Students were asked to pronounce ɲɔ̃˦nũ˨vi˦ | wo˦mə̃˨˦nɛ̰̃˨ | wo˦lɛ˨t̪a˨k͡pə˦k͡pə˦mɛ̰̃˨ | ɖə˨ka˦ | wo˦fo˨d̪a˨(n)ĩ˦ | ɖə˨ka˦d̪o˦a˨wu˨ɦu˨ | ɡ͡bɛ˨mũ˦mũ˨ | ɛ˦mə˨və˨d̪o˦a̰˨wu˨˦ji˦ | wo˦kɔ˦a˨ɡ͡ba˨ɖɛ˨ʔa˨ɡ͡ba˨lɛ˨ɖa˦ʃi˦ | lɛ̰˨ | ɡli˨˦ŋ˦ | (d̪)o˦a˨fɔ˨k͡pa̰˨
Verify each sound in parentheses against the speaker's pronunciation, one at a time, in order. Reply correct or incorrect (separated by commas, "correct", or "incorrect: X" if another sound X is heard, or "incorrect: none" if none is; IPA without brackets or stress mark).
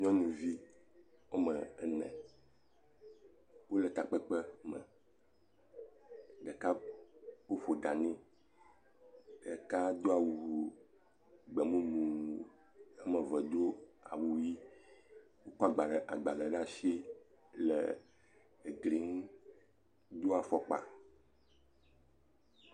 correct, correct